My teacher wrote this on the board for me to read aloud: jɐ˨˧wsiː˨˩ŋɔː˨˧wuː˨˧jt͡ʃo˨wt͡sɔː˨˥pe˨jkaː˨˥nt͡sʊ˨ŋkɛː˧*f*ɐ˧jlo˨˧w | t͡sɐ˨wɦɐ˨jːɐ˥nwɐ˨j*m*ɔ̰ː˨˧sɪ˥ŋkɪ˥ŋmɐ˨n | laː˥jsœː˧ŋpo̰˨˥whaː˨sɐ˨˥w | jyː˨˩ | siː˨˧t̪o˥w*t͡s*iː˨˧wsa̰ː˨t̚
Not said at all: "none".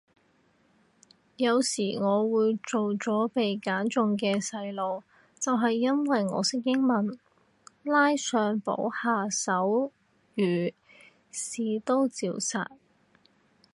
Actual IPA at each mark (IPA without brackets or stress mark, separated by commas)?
s, ŋ, t͡s